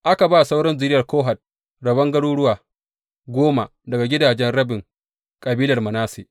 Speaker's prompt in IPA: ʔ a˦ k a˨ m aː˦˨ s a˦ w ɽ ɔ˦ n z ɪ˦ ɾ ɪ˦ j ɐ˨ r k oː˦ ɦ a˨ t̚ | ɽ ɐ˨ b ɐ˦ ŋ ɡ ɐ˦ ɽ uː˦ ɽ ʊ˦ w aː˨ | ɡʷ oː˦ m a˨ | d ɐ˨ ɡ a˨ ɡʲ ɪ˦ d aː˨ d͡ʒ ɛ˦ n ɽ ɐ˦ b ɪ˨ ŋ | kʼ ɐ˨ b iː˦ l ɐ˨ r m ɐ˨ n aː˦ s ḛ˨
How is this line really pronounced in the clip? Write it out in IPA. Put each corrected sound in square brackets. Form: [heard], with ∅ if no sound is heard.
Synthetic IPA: ʔ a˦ k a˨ [b] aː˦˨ s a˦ w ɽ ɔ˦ n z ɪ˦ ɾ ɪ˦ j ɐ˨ r k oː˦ ɦ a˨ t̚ | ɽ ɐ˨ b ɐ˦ ŋ ɡ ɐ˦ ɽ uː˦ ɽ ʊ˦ w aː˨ | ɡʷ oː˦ m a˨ | d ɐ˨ ɡ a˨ ɡʲ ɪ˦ d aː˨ d͡ʒ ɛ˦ n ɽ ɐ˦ b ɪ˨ ŋ | kʼ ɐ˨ b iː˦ l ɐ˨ r m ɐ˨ n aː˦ s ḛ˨